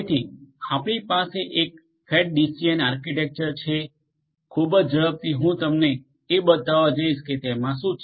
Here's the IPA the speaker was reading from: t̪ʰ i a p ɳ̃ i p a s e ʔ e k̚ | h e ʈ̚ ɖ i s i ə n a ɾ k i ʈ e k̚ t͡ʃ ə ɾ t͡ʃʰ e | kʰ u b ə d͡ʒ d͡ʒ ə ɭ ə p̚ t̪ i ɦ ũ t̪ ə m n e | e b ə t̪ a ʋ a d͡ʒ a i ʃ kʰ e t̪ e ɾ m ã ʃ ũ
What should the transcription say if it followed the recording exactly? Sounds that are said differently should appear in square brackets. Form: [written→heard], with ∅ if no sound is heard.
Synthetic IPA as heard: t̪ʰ i a p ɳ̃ i p a s e ʔ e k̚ | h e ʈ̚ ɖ i s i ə n a ɾ k i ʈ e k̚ t͡ʃ ə ɾ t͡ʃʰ e | kʰ u b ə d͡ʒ d͡ʒ ə ɭ ə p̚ t̪ i ɦ ũ t̪ ə m n e | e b ə t̪ a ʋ a d͡ʒ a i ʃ [kʰ→k] e t̪ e [ɾ→∅] m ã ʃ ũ

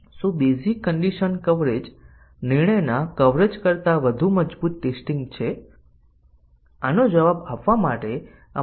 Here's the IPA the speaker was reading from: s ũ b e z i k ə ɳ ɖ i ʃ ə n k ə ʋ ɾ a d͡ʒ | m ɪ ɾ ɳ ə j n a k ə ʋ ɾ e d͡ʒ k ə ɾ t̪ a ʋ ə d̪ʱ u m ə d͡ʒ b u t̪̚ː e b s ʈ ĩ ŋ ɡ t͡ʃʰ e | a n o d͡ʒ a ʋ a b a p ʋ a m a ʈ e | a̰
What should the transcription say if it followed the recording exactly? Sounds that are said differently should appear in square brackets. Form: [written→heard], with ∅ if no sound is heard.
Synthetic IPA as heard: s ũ b e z i k ə ɳ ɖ i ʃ ə n k ə ʋ ɾ [a→e] d͡ʒ | [m→n] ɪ ɾ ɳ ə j n a k ə ʋ ɾ e d͡ʒ k ə ɾ t̪ a ʋ ə d̪ʱ u m ə d͡ʒ b u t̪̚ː e [b→∅] s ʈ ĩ ŋ ɡ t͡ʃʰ e | a n o d͡ʒ [a→ə] ʋ a b a p ʋ a m a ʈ e | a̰

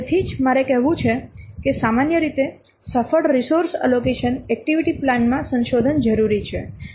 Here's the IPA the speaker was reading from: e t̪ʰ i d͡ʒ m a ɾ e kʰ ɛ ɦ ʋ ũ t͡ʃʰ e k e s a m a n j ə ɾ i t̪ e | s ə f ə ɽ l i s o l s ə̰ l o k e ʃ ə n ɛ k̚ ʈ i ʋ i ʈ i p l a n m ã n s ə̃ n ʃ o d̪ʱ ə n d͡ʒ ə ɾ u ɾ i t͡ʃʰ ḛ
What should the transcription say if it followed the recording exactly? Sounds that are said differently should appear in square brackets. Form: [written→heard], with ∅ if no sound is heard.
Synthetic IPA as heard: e t̪ʰ i d͡ʒ m a ɾ e [kʰ→k] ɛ ɦ ʋ ũ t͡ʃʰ e k e s a m a n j ə ɾ i t̪ e | s ə f ə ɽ [l→ɾ] i s o [l→ɾ] s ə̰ l o k e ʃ ə n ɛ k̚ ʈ i ʋ i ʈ i p l a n m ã [n→∅] s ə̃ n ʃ o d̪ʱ ə n d͡ʒ ə ɾ u ɾ i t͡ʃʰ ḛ

